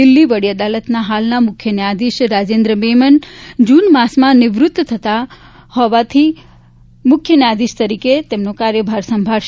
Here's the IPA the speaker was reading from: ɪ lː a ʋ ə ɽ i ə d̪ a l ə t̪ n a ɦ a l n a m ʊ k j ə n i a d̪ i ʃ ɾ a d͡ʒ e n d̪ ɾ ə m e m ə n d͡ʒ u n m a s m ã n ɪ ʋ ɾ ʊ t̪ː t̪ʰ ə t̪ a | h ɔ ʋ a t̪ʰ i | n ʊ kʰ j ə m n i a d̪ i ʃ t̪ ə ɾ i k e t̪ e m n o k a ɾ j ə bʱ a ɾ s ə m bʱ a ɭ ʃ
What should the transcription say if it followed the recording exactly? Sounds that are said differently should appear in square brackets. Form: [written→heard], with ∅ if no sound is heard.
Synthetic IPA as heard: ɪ lː [a→i] ʋ ə ɽ i ə d̪ a l ə t̪ n a ɦ a l n a m ʊ [k→kʰ] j ə n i a d̪ i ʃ ɾ a d͡ʒ e n d̪ ɾ ə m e m ə n d͡ʒ u n m a s m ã n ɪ ʋ ɾ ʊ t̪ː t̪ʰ ə t̪ a | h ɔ ʋ a t̪ʰ i | [n→m] ʊ kʰ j ə [m→∅] n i a d̪ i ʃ t̪ ə ɾ i k e t̪ e m n o k a ɾ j ə bʱ a ɾ s ə m bʱ a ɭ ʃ

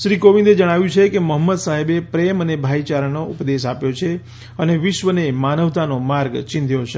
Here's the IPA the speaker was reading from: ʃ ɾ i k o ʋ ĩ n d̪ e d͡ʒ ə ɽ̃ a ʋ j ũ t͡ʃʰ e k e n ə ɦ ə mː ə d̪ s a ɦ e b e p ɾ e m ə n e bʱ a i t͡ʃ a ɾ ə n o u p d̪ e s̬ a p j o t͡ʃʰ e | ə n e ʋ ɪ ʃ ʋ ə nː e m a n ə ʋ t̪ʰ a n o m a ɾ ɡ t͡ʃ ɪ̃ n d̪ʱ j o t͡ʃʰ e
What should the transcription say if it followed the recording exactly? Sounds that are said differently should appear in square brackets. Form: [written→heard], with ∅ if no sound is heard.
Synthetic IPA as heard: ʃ ɾ i k o ʋ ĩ n d̪ e d͡ʒ ə ɽ̃ a ʋ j ũ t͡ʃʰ e k e [n→m] ə ɦ ə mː ə d̪ s a ɦ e b e p ɾ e m ə n e bʱ a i t͡ʃ a ɾ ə n o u p d̪ e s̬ a p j o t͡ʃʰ e | ə n e ʋ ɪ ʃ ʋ ə [nː→n] e m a n ə ʋ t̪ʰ a n o m a ɾ ɡ t͡ʃ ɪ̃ n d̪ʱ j o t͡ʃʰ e

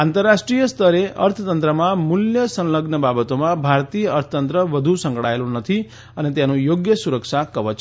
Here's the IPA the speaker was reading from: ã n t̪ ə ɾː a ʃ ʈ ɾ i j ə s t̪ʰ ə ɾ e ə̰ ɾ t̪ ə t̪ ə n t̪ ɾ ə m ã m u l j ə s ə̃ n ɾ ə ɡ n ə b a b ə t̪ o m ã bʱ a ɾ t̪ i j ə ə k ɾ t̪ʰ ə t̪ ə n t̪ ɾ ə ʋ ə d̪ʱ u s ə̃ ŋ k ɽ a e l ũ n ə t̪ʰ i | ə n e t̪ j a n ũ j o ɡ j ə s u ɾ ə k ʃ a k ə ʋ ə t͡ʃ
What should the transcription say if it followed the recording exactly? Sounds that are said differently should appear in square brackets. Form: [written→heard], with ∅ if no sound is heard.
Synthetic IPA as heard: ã n t̪ ə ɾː a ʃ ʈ ɾ i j ə s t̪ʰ ə ɾ e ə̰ ɾ [t̪→t̪ʰ] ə t̪ ə n t̪ ɾ ə m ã m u l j ə s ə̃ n [ɾ→l] ə ɡ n ə b a b ə t̪ o m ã bʱ a ɾ t̪ i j ə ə [k→∅] ɾ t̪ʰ ə t̪ ə n t̪ ɾ ə ʋ ə d̪ʱ u s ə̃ ŋ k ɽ a e l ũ n ə t̪ʰ i | ə n e t̪ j a n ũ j o ɡ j ə s u ɾ ə k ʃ a k ə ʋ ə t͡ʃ

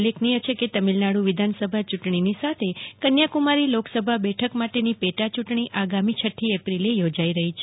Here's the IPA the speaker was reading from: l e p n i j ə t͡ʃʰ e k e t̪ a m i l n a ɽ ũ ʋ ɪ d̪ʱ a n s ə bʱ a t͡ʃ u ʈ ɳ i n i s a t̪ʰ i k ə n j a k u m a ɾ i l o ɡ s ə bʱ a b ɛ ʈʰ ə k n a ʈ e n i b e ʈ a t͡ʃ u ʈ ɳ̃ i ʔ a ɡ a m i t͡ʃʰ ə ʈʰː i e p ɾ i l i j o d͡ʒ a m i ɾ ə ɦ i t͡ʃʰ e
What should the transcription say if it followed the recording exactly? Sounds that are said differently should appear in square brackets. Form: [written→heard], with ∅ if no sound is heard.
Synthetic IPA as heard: l e [p→k] n i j ə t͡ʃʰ e k e t̪ [a→ə] m i l n a ɽ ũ ʋ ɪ d̪ʱ a n s ə bʱ a t͡ʃ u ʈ ɳ i n i s a t̪ʰ [i→e] k ə n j a k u m a ɾ i l o [ɡ→k] s ə bʱ a b ɛ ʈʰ ə k [n→m] a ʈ e n i [b→p] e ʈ a t͡ʃ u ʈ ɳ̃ i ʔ a ɡ a m i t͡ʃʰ ə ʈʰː i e p ɾ i l [i→e] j o d͡ʒ a [m→∅] i ɾ ə ɦ i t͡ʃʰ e

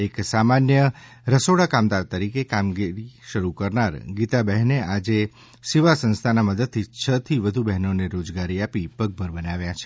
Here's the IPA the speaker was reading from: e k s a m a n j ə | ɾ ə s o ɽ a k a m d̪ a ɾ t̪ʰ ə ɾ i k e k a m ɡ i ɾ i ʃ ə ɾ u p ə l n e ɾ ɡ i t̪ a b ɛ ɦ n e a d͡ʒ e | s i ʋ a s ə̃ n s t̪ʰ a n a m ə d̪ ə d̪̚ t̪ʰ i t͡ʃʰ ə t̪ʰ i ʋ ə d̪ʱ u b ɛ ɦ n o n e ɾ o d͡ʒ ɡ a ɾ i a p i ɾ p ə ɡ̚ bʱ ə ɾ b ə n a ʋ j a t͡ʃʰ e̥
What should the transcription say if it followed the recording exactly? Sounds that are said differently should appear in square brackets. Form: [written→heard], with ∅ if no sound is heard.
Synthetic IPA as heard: e k s a m a n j ə | ɾ ə s o ɽ a k a m d̪ a ɾ [t̪ʰ→t̪] ə ɾ i k e k a m ɡ i ɾ i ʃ ə ɾ u [p→k] ə [l→ɾ] n [e→a] ɾ ɡ i t̪ a b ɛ ɦ n e a d͡ʒ e | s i ʋ a s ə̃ n s t̪ʰ a n a m ə d̪ ə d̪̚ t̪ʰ i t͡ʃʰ ə t̪ʰ i ʋ ə d̪ʱ u b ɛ ɦ n o n e ɾ o d͡ʒ ɡ a ɾ i a p i [ɾ→∅] p ə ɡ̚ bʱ ə ɾ b ə n a ʋ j a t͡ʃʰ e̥

